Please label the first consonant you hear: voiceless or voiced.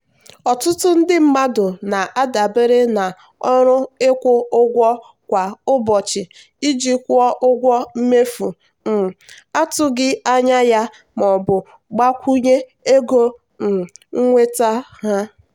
voiceless